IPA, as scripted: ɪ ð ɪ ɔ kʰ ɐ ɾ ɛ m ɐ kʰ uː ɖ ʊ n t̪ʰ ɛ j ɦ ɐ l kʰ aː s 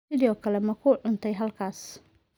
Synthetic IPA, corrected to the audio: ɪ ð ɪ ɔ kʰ ɐ l ɛ m ɐ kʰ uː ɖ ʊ n t̪ʰ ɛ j ɦ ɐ l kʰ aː s